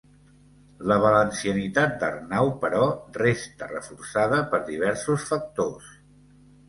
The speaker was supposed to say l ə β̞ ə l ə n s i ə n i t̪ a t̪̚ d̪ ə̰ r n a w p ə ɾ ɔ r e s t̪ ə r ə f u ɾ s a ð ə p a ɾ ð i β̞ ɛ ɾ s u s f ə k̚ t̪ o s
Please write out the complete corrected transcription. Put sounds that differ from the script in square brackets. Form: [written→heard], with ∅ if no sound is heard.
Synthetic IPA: l ə β̞ ə l ə n s i ə n i t̪ a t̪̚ d̪ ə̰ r n a w p ə ɾ ɔ r e s t̪ ə r ə f u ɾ s a ð ə p [a→ə] ɾ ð i β̞ ɛ ɾ s u s f ə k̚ t̪ o s